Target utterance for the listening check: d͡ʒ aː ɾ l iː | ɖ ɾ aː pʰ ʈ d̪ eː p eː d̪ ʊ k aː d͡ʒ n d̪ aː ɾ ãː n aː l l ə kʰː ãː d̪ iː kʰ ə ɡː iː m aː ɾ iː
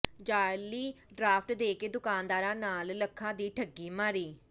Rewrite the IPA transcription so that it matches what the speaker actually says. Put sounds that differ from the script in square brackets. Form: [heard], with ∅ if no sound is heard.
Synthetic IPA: d͡ʒ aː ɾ l iː | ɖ ɾ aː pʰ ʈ d̪ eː [k] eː d̪ ʊ k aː [∅] n d̪ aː ɾ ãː n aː l l ə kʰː ãː d̪ iː [ʈʰ] ə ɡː iː m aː ɾ iː